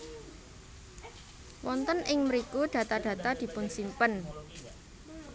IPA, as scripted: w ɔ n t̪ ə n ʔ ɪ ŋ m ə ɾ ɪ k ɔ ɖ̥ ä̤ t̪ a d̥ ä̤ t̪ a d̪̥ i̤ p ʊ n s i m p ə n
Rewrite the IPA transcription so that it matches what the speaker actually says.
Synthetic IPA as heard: w ɔ n t̪ ə n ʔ ɪ ŋ m ə ɾ i k u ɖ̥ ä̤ t̪ a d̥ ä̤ t̪ a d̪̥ i̤ p ʊ n s i m p ə n